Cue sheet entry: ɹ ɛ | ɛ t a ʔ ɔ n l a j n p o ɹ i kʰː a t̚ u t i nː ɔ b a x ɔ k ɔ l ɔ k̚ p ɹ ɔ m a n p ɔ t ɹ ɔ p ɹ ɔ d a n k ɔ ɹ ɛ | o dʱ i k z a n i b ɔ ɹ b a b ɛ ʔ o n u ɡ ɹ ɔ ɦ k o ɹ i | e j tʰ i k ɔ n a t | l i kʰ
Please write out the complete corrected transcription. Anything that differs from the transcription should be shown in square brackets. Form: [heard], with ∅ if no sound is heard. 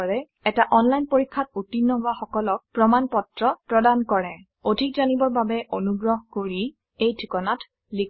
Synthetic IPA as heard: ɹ ɛ | ɛ t a ʔ ɔ n l a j n p o ɹ i kʰː a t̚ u t i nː ɔ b a x ɔ k ɔ l ɔ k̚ p ɹ ɔ m a n p ɔ t ɹ ɔ p ɹ ɔ d a n k ɔ ɹ ɛ | o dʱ i k z a n i b ɔ ɹ b a b ɛ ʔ o n u ɡ ɹ ɔ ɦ k o ɹ i | e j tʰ i k ɔ n a t | l i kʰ